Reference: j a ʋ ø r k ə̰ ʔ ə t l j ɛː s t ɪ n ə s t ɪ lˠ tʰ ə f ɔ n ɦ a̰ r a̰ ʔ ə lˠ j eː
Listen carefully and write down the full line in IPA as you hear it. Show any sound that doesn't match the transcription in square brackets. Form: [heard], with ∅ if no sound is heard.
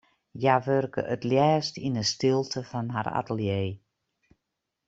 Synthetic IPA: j a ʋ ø r k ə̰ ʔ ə t l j ɛː s t [i] n ə s t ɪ lˠ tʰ ə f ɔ n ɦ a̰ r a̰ [t] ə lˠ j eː